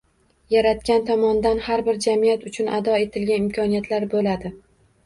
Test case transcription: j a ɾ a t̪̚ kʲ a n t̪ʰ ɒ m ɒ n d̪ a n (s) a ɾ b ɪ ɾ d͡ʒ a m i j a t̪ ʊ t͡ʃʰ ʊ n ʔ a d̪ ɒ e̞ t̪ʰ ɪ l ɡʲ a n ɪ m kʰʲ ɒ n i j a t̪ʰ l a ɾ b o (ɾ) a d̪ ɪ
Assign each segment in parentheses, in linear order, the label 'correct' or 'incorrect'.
incorrect: h, incorrect: l

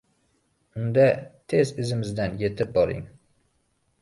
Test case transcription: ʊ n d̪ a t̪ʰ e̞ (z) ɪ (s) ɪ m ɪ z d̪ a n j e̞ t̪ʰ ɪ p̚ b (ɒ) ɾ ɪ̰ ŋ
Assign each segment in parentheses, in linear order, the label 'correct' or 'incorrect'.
correct, incorrect: z, correct

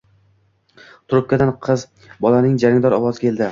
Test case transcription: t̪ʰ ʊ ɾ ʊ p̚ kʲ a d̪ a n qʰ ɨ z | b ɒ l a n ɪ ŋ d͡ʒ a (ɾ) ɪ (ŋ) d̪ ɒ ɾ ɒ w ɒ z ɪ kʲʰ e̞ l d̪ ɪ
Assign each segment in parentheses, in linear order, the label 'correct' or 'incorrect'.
correct, correct

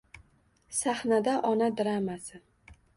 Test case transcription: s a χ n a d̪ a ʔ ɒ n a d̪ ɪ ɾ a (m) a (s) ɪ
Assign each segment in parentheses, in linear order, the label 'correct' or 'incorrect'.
correct, correct

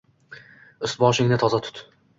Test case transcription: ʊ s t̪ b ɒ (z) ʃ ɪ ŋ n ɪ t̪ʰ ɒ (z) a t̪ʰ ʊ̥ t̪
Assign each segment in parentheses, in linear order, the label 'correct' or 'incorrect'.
incorrect: none, correct

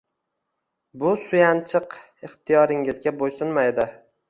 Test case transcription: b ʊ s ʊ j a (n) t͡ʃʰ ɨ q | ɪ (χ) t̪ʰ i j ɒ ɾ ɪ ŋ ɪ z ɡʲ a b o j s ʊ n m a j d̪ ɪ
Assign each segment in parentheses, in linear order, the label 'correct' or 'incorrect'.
correct, correct

